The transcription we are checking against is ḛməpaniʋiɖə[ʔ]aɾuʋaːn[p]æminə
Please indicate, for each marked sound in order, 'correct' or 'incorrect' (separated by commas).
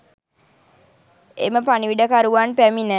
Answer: incorrect, correct